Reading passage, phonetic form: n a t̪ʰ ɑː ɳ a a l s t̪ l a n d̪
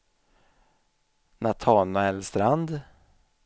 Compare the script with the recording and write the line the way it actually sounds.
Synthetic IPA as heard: n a t̪ʰ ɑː n a ɛ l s t̪ ɾ a n d̪

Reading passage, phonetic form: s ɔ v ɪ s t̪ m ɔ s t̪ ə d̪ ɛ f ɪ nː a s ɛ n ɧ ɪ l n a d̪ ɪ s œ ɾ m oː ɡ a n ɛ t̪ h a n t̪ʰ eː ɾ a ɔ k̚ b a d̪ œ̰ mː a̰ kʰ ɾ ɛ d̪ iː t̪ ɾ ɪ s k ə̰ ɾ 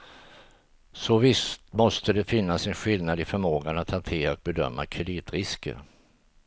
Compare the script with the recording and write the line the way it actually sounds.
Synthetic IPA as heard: s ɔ v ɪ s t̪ m ɔ s t̪ ə d̪ ɛ f ɪ nː a s ɛ n ɧ ɪ l n a d̪ ɪ f œ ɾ m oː ɡ a n a t̪ h a n t̪ʰ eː ɾ a ɔ k̚ b ɛ d̪ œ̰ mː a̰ kʰ ɾ ɛ d̪ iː t̪ ɾ ɪ s k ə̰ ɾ

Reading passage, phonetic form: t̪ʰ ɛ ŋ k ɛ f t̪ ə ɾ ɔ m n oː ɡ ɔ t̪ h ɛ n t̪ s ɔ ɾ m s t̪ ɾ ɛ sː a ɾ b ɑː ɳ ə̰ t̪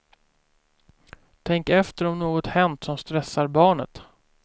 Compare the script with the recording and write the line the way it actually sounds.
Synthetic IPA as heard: t̪ʰ ɛ ŋ k ɛ f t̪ ə ɾ ɔ m n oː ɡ ɔ t̪ h ɛ n t̪ s ɔ m s t̪ ɾ ɛ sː a ɾ b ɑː ɳ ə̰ t̪

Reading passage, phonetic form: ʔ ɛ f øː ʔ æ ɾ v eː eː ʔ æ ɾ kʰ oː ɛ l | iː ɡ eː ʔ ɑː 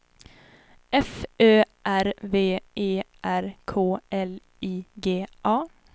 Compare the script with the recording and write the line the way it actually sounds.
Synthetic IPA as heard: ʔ ɛ f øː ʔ æ ɾ v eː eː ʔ æ ɾ kʰ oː ɛ l | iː ɡ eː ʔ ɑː

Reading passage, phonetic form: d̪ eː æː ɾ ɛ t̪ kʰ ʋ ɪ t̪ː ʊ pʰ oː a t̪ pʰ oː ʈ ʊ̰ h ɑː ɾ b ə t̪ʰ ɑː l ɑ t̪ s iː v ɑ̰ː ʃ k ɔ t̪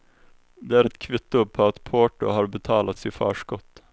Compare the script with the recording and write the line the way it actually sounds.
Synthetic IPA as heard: d̪ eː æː ɾ ɛ t̪ kʰ ʋ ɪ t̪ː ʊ pʰ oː ɑ t̪ pʰ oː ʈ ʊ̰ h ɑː ɾ b ə t̪ʰ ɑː l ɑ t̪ s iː f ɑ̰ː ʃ k ɔ t̪

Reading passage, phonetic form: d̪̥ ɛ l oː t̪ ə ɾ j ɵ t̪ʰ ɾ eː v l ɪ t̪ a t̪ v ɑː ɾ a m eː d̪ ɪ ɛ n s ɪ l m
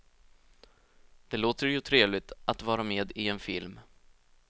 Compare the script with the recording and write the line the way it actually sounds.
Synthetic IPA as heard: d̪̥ ɛ l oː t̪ ə ɾ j ɵ t̪ʰ ɾ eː v l ɪ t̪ a t̪ v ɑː ɾ a m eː d̪ ɪ ɛ n f ɪ l m

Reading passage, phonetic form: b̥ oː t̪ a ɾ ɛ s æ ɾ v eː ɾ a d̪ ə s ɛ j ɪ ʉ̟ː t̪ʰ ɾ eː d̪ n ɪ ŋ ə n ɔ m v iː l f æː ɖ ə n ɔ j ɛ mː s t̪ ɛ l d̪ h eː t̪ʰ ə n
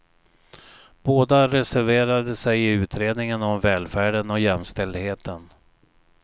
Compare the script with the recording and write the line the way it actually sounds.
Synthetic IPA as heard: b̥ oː d̪ a ɾ ɛ s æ ɾ v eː ɾ a d̪ ə s ɛ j ɪ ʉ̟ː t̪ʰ ɾ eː d̪ n ɪ ŋ ə n ɔ m v ɛː l f æː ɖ ə n ɔ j ɛ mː s t̪ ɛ l d̪ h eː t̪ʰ ə n

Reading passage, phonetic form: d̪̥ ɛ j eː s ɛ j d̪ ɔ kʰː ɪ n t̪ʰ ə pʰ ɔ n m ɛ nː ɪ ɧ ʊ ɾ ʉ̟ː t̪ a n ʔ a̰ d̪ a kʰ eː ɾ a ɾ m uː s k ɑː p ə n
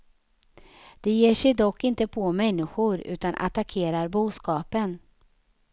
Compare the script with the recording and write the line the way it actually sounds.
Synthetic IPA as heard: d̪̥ ɛ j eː ʂ ɛ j d̪ ɔ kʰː ɪ n t̪ ə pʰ ɔ m ɛ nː ɪ ɧ ʊ ɾ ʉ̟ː t̪ a n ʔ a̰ t̪ a kʰ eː ɾ a ɾ b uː s k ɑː p ə n

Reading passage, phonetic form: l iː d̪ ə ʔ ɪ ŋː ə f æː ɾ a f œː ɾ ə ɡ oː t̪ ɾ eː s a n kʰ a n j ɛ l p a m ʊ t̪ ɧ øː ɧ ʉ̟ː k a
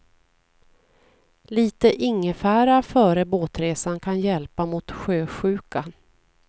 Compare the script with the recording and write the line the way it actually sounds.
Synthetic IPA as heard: l iː t̪ ə ʔ ɪ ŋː ə f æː ɾ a f œː ɾ ə b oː t̪ ɾ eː s a n kʰ a n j ɛ l p a m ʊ t̪ ɧ øː ɧ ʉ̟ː k a

